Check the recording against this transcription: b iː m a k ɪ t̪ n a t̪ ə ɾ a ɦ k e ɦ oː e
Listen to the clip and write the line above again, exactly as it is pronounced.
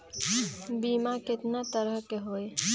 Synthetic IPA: b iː m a k ɪ t̪ n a t̪ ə ɾ ə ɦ k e ɦ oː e